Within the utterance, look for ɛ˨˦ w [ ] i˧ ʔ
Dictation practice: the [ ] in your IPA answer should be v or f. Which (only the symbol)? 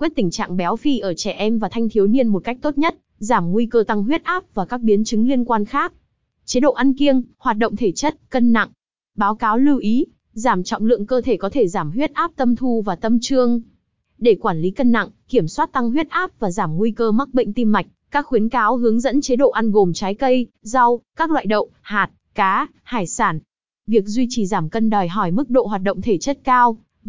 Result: f